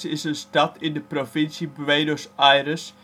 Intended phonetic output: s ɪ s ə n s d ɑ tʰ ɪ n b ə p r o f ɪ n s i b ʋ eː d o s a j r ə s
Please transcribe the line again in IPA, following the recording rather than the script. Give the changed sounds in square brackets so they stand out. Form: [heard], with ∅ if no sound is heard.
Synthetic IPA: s ɪ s ə n s [t] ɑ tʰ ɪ n [d] ə p r o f ɪ n s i b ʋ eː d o s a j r ə s